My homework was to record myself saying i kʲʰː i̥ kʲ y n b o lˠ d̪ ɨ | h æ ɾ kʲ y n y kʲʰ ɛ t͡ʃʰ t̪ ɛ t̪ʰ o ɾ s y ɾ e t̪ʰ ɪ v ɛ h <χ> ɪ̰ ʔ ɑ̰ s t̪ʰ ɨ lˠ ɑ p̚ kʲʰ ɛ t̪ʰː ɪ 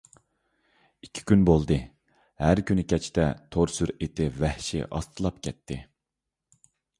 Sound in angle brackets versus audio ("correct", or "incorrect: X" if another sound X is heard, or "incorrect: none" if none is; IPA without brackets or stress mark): incorrect: ʃ